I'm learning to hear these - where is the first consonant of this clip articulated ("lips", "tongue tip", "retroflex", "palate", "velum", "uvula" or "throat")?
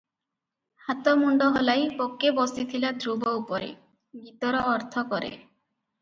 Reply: throat